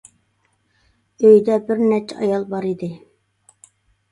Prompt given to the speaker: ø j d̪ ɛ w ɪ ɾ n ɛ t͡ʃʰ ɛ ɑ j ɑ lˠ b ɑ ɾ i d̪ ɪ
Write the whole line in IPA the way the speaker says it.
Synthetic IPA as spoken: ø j d̪ ɛ b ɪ ɾ n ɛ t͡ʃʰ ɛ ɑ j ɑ lˠ b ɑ ɾ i d̪ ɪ